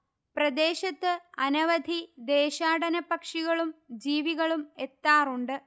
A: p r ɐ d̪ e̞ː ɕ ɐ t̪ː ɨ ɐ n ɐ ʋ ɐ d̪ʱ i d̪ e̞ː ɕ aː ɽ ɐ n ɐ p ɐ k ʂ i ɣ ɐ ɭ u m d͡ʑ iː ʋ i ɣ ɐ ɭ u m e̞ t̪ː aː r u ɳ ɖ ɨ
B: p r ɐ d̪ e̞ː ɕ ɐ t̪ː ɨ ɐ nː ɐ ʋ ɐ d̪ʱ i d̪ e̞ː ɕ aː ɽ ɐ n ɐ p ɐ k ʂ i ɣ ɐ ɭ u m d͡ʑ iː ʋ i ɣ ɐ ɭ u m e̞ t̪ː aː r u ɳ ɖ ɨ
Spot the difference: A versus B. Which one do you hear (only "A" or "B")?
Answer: A